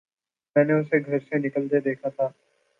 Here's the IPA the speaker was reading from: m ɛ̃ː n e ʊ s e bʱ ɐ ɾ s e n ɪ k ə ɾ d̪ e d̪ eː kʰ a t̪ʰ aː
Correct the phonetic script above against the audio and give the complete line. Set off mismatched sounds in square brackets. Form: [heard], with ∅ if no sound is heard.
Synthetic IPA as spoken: m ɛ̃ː n e ʊ s e [ɡʱ] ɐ ɾ s e n ɪ k ə [l] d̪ e d̪ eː kʰ a t̪ʰ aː